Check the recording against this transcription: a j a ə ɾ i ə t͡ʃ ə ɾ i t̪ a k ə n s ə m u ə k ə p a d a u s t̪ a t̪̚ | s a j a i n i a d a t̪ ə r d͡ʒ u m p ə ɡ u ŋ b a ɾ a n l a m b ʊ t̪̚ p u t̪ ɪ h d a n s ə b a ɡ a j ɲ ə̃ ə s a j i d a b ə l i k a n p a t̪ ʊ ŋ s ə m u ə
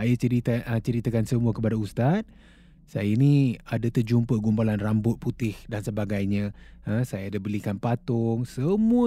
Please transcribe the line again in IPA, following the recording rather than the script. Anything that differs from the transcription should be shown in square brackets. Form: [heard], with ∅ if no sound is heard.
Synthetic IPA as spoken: a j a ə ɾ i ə t͡ʃ ə ɾ i t̪ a k [a] n s ə m u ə k ə p a d a u s t̪ a t̪̚ | s a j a i n i a d a t̪ ə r d͡ʒ u m p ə ɡ u [m] b a [l] a n [r] a m b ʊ t̪̚ p u t̪ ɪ h d a n s ə b a ɡ a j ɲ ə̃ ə s a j [a] d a b ə l i k a n p a t̪ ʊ ŋ s ə m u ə